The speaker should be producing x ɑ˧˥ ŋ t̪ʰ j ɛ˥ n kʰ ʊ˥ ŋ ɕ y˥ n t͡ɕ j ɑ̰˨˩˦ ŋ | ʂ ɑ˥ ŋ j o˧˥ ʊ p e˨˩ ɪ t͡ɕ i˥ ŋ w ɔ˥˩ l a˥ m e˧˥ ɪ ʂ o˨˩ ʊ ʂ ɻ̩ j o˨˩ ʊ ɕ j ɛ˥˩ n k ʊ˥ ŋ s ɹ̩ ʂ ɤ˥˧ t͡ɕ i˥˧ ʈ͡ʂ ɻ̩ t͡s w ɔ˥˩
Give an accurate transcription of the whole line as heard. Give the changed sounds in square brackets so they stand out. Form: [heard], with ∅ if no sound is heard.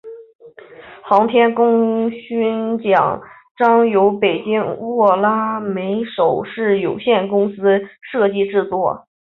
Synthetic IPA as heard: x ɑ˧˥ ŋ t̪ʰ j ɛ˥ n [k] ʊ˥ ŋ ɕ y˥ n t͡ɕ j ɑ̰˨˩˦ ŋ | [ʈ͡ʂ] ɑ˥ ŋ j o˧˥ ʊ p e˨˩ ɪ t͡ɕ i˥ ŋ w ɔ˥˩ l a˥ m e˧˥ ɪ ʂ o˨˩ ʊ ʂ ɻ̩ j o˨˩ ʊ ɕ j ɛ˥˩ n k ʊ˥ ŋ s ɹ̩ ʂ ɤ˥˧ t͡ɕ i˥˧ ʈ͡ʂ ɻ̩ t͡s w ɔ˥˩